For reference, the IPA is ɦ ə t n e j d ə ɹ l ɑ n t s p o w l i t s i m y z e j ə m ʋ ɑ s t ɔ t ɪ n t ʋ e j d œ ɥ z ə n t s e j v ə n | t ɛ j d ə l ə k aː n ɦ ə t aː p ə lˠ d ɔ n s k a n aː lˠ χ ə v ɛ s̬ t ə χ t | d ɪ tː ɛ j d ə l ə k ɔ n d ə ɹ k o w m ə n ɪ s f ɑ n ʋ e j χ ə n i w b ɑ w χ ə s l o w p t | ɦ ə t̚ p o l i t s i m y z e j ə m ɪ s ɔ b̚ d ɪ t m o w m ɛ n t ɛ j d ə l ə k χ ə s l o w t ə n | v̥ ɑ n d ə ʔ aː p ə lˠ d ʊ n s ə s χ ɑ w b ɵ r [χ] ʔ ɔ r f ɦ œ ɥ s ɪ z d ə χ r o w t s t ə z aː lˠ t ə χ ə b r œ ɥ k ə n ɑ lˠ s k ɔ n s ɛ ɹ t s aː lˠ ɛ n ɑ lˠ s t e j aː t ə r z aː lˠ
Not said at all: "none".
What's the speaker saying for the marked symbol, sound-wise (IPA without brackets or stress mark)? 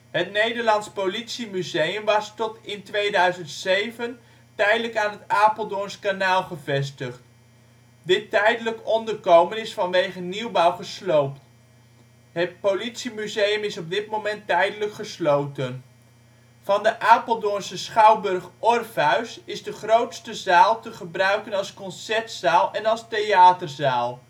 χ